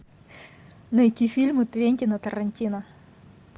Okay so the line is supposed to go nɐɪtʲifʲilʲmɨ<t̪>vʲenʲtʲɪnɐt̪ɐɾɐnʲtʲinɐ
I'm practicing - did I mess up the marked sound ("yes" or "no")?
no